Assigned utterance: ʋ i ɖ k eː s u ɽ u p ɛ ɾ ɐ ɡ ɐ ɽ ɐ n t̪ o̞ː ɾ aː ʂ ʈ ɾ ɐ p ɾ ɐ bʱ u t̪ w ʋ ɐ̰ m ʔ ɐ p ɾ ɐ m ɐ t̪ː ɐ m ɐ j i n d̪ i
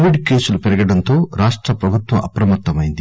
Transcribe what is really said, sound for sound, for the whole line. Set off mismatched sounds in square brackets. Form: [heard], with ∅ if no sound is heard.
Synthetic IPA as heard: ʋ i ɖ k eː s u [l] u p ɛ ɾ ɐ ɡ ɐ ɽ ɐ n t̪ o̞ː ɾ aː ʂ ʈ ɾ ɐ p ɾ ɐ bʱ u t̪ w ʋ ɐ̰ m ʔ ɐ p ɾ ɐ m ɐ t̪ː ɐ m ɐ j i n d̪ i